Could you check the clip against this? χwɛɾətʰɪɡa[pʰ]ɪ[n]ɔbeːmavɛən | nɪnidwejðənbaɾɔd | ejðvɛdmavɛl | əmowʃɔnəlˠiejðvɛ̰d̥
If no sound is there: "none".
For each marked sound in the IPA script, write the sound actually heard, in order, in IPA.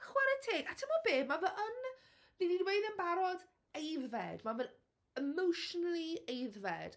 tʰ, m

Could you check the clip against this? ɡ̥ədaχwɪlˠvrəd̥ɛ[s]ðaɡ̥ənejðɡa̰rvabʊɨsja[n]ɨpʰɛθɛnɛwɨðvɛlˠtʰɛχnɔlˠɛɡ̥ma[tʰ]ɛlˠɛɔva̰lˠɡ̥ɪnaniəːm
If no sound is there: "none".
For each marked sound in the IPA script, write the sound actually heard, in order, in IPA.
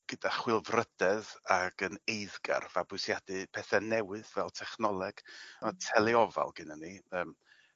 none, d, tʰ

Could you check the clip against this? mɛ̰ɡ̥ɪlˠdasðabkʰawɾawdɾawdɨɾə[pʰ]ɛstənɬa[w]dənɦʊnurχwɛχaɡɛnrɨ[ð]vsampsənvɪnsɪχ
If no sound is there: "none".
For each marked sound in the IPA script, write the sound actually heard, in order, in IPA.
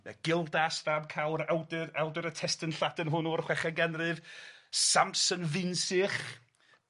tʰ, none, none

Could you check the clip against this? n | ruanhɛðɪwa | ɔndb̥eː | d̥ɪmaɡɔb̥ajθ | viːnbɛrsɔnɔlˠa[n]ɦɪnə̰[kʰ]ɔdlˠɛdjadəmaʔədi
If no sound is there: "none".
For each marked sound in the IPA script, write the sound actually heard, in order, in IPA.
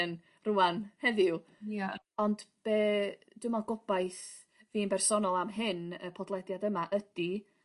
m, pʰ

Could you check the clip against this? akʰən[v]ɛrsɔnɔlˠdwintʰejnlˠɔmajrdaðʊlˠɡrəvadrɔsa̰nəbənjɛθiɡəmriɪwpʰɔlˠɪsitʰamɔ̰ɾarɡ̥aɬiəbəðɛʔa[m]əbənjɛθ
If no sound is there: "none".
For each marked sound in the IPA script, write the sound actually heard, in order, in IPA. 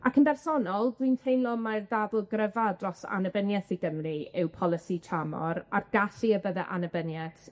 b, n

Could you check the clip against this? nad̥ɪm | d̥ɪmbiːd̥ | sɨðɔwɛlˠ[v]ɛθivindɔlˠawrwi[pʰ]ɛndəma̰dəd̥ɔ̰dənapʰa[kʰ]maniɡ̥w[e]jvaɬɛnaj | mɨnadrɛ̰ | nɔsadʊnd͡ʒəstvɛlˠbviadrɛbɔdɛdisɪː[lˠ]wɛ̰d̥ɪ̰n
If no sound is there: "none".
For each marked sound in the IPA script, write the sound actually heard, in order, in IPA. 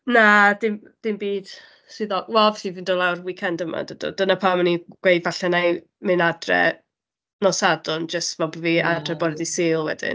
v, kʰ, none, e, lˠ

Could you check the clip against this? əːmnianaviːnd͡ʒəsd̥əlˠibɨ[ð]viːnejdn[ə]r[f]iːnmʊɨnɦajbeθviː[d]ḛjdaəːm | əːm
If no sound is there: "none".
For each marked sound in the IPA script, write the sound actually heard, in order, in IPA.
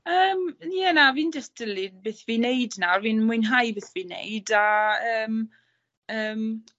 θ, a, v, n

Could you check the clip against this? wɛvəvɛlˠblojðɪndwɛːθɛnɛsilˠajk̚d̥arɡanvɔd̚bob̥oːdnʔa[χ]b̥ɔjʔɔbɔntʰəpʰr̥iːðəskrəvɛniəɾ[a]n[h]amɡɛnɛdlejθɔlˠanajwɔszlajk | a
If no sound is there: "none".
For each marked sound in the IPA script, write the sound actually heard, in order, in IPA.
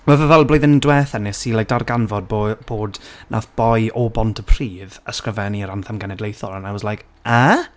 θ, a, θ

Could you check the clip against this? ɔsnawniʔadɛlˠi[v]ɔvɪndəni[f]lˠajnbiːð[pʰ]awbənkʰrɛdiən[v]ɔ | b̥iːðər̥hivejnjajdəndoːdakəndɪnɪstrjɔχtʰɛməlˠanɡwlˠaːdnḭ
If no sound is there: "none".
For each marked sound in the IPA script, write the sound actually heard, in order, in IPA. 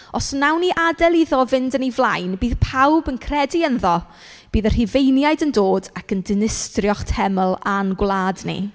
ð, v, pʰ, ð

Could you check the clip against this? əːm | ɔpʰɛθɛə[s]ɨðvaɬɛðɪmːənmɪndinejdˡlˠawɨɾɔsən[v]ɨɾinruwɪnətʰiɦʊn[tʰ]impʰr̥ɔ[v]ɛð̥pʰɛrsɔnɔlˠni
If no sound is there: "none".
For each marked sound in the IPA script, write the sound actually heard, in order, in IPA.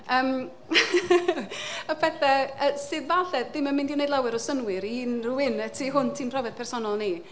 s, w, tʰ, v

